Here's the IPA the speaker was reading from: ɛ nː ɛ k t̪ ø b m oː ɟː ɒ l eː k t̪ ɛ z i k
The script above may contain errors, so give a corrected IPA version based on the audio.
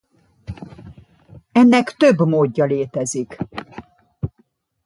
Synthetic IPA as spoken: ɛ nː ɛ k t̪ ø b m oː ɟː ɒ l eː t̪ ɛ z i k